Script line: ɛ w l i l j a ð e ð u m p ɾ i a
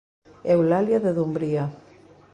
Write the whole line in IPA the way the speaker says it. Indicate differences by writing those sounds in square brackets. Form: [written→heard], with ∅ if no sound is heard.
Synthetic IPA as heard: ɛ w l [i→a] l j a ð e ð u m [p→b] ɾ i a

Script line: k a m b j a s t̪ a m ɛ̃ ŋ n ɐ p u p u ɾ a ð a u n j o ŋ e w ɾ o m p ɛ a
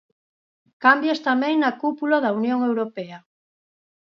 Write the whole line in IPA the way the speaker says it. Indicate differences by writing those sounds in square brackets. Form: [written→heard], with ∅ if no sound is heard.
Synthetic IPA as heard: k a m b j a s t̪ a m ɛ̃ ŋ n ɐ [p→k] u p u [ɾ→l] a ð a u n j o ŋ e w ɾ o [m→∅] p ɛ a

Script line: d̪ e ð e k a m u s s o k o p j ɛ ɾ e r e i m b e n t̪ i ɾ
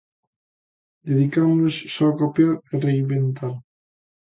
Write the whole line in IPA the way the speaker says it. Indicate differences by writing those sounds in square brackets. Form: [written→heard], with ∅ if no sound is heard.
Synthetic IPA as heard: d̪ e ð [e→i] k a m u s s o k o p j [ɛ→a] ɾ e r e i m b e n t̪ [i→a] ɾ

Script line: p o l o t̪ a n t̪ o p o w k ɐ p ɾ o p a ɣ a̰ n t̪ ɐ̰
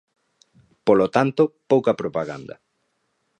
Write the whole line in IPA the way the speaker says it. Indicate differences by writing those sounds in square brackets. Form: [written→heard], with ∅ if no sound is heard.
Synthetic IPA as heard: p o l o t̪ a n t̪ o p o w k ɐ p ɾ o p a ɣ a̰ n [t̪→d̪] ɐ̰

